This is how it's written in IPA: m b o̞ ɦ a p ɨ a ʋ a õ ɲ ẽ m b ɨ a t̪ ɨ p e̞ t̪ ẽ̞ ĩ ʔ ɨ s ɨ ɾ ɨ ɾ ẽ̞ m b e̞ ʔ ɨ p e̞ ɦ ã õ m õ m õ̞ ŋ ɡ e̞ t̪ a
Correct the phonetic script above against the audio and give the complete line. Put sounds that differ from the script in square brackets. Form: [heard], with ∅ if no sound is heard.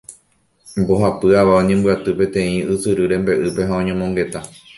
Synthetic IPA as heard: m b o̞ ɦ a p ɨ a ʋ a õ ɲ ẽ m b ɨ a t̪ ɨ p e̞ t̪ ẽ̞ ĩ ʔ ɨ s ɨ ɾ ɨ ɾ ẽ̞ m b e̞ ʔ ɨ p e̞ ɦ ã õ [ɲ] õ m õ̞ ŋ ɡ e̞ t̪ a